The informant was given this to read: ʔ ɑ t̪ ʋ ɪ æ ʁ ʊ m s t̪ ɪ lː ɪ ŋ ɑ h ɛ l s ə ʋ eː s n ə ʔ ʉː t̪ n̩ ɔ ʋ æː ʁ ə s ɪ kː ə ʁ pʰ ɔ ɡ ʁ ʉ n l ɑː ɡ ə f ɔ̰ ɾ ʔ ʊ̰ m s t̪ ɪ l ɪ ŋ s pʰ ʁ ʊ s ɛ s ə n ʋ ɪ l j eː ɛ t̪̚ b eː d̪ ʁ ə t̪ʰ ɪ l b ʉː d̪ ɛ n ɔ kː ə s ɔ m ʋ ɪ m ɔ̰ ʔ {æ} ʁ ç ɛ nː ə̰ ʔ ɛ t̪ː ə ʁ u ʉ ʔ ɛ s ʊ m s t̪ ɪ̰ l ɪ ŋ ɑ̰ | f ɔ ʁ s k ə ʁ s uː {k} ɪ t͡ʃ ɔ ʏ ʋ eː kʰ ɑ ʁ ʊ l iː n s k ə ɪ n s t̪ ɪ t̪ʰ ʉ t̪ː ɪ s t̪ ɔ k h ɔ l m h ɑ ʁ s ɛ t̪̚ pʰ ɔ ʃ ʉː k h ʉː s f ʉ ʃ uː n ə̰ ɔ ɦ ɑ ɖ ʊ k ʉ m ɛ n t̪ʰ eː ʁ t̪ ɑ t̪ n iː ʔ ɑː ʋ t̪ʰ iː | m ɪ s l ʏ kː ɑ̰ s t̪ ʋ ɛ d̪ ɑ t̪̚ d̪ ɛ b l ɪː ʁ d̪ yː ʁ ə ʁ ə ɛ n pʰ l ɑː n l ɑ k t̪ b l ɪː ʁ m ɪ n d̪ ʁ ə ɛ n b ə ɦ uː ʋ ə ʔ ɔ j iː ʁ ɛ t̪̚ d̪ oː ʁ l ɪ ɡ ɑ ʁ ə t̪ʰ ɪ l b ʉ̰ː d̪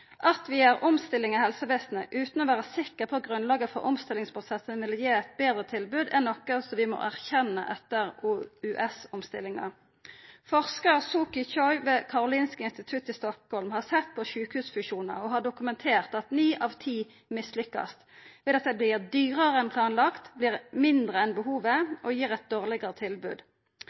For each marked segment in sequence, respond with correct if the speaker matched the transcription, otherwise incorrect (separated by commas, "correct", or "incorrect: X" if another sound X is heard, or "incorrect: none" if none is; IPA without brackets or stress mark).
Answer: correct, correct